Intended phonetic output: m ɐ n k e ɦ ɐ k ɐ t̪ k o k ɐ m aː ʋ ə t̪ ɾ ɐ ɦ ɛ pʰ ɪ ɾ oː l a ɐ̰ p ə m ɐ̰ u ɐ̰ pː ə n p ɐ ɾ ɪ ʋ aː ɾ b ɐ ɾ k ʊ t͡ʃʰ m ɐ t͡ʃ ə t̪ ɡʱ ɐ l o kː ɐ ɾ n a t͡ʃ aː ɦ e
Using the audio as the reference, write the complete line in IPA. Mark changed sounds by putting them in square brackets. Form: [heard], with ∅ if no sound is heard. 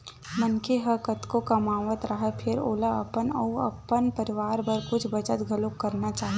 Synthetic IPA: m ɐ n k e ɦ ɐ k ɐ t̪ k o k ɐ m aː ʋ ə t̪ ɾ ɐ ɦ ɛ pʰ ɪ ɾ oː l a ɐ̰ p ə [n] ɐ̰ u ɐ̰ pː ə n p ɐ ɾ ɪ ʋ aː ɾ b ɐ ɾ k ʊ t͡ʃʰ [b] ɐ t͡ʃ ə t̪ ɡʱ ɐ l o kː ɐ ɾ n a t͡ʃ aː ɦ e